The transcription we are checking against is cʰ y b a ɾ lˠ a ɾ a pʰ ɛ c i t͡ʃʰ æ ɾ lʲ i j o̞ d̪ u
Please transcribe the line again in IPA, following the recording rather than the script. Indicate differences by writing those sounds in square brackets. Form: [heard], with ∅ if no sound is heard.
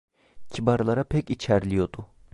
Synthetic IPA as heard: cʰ [i] b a ɾ lˠ a ɾ a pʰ ɛ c i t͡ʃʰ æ ɾ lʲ i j o̞ d̪ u